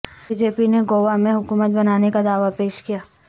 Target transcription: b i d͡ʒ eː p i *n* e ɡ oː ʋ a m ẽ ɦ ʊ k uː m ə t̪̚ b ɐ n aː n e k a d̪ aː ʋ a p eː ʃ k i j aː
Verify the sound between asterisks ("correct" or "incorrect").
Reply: correct